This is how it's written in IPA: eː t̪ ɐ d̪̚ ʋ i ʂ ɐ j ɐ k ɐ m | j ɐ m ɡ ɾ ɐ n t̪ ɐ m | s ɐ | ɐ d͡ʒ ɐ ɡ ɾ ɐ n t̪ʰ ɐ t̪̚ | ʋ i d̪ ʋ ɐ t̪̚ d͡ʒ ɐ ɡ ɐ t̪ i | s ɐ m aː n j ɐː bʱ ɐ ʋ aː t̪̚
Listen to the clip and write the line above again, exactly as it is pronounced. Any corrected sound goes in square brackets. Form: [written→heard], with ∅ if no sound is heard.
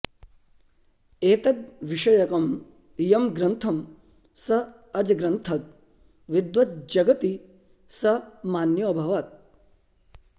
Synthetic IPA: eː t̪ ɐ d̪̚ ʋ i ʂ ɐ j ɐ k ɐ m | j ɐ m ɡ ɾ ɐ n [t̪→t̪ʰ] ɐ m | s ɐ | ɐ d͡ʒ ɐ ɡ ɾ ɐ n t̪ʰ ɐ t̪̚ | ʋ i d̪ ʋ ɐ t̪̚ d͡ʒ ɐ ɡ ɐ t̪ i | s ɐ m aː n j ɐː bʱ ɐ ʋ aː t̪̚